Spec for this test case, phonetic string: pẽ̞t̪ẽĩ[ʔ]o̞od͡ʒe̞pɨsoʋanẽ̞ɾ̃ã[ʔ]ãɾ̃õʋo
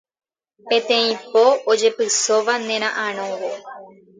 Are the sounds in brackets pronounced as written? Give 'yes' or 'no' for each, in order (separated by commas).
no, yes